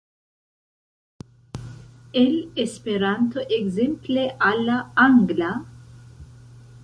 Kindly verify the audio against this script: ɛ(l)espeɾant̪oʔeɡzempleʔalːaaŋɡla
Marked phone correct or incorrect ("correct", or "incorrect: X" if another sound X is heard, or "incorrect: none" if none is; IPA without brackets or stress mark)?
correct